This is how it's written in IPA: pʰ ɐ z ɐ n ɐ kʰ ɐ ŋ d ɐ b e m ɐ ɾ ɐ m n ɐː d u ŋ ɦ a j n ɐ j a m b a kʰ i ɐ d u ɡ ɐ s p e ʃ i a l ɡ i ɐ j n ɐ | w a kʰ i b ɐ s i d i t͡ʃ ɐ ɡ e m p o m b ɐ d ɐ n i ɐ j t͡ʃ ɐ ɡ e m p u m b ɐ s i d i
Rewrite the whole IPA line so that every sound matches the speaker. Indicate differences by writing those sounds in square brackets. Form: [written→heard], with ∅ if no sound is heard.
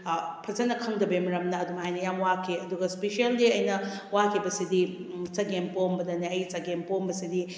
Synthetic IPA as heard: pʰ ɐ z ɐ n ɐ kʰ ɐ ŋ d ɐ b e m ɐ ɾ ɐ m n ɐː d u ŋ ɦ a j n ɐ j a m [b→w] a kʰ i ɐ d u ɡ ɐ s p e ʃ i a l [ɡ→d] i ɐ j n ɐ | w a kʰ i b ɐ s i d i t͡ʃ ɐ ɡ e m p o m b ɐ d ɐ n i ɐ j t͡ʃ ɐ ɡ e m p [u→o] m b ɐ s i d i